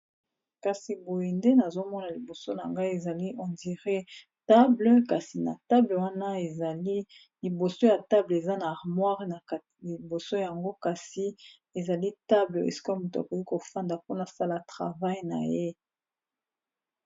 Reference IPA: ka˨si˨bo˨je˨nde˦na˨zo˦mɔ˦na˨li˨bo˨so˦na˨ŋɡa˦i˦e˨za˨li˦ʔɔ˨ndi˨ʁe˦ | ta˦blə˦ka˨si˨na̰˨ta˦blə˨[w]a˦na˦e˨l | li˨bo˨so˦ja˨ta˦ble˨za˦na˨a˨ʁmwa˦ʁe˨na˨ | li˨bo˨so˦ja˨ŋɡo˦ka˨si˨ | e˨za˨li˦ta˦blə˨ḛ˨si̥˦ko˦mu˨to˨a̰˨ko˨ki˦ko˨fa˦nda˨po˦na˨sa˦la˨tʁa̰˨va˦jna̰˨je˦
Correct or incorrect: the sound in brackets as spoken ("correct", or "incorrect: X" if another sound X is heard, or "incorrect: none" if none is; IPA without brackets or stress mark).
correct